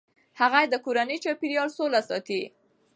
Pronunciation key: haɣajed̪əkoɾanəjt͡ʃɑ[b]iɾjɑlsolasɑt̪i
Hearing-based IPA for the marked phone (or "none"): p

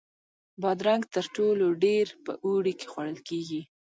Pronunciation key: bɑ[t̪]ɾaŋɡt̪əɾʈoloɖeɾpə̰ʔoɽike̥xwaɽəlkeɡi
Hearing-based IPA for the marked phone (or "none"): d̪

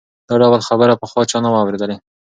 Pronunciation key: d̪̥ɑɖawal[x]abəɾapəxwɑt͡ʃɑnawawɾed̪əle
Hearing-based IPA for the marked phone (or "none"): x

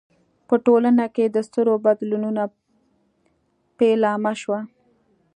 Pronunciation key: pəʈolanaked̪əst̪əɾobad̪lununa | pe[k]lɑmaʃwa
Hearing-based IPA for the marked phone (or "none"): none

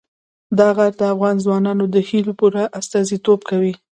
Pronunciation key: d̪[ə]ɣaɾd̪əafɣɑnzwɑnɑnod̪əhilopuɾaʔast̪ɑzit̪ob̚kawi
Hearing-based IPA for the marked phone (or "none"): ɑ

